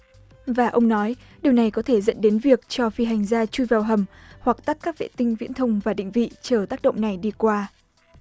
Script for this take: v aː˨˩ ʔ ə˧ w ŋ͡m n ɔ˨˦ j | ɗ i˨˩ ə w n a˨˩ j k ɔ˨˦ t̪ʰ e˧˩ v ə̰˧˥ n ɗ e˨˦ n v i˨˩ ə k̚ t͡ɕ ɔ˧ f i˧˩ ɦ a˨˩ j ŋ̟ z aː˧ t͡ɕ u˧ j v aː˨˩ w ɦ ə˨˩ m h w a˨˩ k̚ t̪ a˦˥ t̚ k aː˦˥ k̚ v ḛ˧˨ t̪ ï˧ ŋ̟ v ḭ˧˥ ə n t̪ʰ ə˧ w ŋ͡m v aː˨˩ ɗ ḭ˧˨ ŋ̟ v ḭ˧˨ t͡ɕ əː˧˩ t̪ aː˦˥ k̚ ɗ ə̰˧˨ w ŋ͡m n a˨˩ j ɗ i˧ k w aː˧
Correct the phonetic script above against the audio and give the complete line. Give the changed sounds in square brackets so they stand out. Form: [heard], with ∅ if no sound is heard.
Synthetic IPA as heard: v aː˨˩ ʔ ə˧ w ŋ͡m n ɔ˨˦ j | ɗ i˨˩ ə w n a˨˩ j k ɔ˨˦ t̪ʰ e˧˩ [z] ə̰˧˥ n ɗ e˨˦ n v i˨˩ ə k̚ t͡ɕ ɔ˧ f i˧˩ ɦ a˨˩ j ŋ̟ z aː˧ t͡ɕ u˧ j v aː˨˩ w ɦ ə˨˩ m h w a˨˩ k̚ t̪ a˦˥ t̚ k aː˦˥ k̚ v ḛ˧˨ t̪ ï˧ ŋ̟ v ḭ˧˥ ə n t̪ʰ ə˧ w ŋ͡m v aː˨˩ ɗ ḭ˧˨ ŋ̟ v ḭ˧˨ t͡ɕ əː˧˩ t̪ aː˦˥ k̚ ɗ ə̰˧˨ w ŋ͡m n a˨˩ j ɗ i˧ k w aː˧